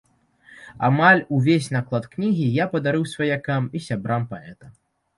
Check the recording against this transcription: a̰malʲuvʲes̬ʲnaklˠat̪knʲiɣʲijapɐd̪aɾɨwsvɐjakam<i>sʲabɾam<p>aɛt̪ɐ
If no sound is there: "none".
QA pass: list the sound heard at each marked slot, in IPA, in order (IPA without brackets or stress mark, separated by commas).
i, p